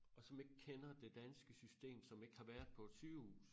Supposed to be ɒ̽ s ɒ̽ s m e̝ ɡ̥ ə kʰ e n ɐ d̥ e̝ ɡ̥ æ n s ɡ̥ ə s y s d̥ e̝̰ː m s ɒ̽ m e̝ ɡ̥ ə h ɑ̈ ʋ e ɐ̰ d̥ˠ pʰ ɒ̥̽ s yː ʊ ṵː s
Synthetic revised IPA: ɒ̽ s ɒ̽ m e̝ ɡ̥ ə kʰ e n ɐ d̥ e̝ d̥ æ n s ɡ̥ ə s y s d̥ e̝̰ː m s ɒ̽ m e̝ ɡ̥ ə h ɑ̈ ʋ æ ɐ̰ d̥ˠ pʰ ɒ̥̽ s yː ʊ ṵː s